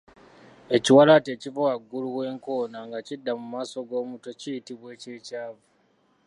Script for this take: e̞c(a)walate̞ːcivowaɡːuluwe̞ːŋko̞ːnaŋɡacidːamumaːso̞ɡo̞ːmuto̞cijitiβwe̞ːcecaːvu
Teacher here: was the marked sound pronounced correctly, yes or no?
no